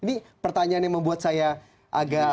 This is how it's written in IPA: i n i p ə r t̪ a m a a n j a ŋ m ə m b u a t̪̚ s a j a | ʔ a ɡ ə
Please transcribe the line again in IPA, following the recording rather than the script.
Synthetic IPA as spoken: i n i p ə r t̪ a ɲ a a n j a ŋ m ə m b u a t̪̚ s a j a | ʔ a ɡ a